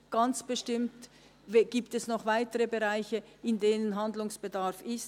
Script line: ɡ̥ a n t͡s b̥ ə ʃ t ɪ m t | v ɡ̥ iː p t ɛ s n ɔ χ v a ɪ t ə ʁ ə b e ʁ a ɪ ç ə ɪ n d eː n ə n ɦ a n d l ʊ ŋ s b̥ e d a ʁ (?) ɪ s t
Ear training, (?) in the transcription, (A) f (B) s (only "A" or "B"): A